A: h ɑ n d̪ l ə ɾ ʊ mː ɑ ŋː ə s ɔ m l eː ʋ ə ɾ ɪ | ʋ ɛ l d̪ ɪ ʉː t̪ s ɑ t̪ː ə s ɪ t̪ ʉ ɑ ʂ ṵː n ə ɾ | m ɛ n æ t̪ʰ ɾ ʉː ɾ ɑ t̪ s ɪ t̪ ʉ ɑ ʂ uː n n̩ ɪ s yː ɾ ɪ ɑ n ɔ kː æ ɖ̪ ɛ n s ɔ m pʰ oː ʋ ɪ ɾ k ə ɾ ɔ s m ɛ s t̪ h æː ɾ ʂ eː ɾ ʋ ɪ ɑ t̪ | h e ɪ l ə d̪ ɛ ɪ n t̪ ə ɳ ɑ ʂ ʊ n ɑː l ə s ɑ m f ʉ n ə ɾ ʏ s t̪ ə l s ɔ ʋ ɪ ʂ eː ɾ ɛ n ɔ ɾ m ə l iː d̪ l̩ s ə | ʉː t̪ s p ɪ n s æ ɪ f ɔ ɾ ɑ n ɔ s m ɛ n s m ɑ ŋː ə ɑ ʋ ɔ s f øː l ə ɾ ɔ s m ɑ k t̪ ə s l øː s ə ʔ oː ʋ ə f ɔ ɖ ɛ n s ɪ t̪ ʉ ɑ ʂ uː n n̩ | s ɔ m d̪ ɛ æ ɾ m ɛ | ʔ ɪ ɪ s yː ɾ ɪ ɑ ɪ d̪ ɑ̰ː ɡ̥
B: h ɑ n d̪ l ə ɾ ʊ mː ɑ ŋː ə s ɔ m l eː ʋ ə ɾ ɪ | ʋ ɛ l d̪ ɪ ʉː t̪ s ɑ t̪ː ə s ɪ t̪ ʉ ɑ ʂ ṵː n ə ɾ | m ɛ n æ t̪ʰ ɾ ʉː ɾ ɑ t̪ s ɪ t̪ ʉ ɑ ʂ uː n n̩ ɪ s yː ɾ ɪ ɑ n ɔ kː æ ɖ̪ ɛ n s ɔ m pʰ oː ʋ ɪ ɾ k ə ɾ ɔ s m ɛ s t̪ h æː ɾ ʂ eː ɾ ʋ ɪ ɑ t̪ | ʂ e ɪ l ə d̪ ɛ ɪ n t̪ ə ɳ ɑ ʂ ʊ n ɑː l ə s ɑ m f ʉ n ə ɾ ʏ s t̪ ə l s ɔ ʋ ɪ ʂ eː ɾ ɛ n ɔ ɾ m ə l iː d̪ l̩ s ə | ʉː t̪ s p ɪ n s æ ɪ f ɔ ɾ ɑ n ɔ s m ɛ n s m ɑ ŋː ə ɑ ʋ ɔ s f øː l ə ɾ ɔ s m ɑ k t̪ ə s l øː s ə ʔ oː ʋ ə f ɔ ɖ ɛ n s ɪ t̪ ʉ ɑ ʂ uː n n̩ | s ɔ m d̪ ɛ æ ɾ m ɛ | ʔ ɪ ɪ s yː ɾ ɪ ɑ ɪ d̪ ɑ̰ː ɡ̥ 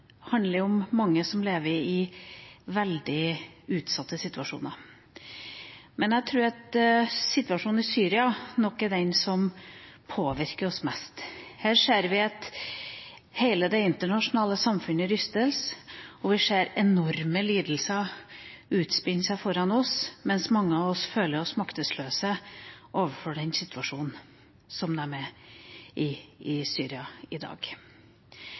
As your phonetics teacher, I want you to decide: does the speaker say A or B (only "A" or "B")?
A